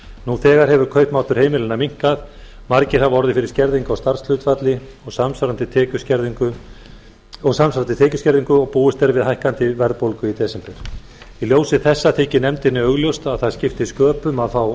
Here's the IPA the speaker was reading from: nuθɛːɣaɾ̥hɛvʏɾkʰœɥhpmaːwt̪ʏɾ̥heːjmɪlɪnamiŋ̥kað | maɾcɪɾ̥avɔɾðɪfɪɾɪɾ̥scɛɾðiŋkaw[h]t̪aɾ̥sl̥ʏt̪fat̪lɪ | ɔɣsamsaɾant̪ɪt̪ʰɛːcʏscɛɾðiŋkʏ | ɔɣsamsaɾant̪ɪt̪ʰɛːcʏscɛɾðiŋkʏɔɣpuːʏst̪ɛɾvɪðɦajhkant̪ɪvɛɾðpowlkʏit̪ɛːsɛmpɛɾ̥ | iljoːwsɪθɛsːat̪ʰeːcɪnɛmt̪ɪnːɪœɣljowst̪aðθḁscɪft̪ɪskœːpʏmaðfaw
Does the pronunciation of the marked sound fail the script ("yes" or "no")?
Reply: yes